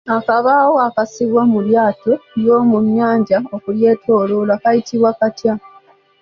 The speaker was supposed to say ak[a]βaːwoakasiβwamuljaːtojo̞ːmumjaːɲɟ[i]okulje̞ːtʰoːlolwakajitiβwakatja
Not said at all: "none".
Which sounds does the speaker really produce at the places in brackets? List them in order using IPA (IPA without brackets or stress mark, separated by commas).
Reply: a, a